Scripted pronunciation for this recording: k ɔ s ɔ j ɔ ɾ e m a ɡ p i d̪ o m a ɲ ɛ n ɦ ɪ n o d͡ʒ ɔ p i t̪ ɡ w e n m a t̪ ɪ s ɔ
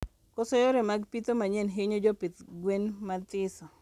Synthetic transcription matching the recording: k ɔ s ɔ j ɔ ɾ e m a ɡ p i t̪ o m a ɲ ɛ n ɦ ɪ ɲ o d͡ʒ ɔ p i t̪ ɡ w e n m a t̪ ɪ s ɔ